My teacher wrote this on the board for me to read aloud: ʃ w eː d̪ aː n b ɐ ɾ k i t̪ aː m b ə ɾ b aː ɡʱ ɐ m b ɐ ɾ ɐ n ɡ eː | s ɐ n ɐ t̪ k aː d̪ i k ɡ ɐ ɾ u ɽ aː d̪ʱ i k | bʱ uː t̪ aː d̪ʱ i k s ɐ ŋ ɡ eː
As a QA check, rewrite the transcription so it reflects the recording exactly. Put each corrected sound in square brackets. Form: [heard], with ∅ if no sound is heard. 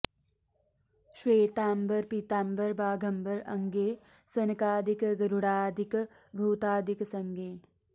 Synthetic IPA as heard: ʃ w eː [t̪] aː [m] b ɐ ɾ [p] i t̪ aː m b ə ɾ b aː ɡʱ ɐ m b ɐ ɾ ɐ [ŋ] ɡ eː | s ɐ n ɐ [∅] k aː d̪ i k ɡ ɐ ɾ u ɽ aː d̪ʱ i k | bʱ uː t̪ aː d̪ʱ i k s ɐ ŋ ɡ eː